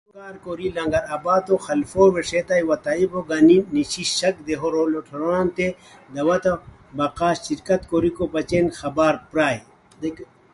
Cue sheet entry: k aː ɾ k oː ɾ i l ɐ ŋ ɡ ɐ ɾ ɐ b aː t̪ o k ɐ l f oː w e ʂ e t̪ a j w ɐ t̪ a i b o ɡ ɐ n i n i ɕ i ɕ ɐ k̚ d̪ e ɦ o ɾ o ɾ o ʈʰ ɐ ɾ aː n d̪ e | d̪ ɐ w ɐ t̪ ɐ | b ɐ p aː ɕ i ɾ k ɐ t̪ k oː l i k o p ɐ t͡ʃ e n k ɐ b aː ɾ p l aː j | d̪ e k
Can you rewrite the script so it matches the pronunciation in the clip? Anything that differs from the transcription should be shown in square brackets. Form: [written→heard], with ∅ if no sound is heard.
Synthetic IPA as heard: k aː ɾ k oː ɾ i l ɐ ŋ ɡ ɐ ɾ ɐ b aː t̪ o [k→x] ɐ l f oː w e ʂ e t̪ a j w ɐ t̪ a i b o ɡ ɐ n i n i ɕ i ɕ ɐ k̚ d̪ e ɦ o ɾ o [ɾ→l] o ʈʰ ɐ ɾ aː n [d̪→t̪] e | d̪ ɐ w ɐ t̪ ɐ | b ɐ [p→q] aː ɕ i ɾ k ɐ t̪ k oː [l→ɾ] i k o p ɐ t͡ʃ e n [k→x] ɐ b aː ɾ p [l→ɾ] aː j | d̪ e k